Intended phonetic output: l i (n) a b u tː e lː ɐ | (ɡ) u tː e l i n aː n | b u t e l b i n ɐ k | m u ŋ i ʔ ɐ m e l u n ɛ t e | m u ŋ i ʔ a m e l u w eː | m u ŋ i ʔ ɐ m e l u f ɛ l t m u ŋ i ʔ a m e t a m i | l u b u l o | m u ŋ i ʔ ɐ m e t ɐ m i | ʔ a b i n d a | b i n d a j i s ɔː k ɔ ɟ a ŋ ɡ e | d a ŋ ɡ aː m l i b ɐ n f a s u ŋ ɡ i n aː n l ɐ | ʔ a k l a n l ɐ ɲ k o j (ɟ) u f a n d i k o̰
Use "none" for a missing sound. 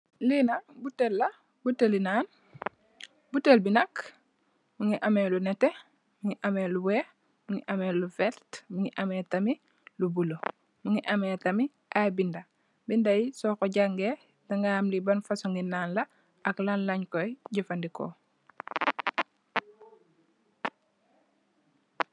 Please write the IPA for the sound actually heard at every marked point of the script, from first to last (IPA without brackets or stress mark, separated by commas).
n, b, ɟ